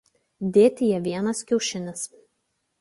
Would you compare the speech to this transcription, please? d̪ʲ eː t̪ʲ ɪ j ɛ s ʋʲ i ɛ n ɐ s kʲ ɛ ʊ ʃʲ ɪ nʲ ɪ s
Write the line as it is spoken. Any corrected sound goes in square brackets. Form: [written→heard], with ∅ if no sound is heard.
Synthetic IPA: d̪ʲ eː t̪ʲ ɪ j ɛ [s→∅] ʋʲ i ɛ n ɐ s kʲ ɛ ʊ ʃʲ ɪ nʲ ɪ s